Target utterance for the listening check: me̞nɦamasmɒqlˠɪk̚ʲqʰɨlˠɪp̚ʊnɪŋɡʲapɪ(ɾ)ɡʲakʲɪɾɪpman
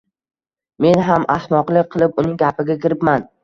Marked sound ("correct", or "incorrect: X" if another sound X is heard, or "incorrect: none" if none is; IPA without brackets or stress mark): incorrect: none